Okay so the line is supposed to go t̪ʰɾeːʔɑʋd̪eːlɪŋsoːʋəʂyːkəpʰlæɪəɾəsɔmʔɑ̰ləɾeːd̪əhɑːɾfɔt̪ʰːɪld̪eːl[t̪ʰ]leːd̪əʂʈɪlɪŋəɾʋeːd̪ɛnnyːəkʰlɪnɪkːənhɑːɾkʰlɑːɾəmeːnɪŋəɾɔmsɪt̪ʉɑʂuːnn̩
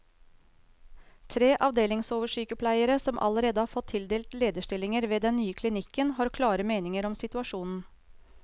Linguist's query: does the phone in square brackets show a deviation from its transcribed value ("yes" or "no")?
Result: yes